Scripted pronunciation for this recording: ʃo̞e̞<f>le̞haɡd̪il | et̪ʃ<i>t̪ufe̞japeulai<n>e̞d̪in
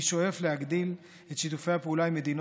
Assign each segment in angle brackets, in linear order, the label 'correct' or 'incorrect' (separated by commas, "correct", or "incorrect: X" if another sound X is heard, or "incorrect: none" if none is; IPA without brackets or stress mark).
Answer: correct, correct, incorrect: m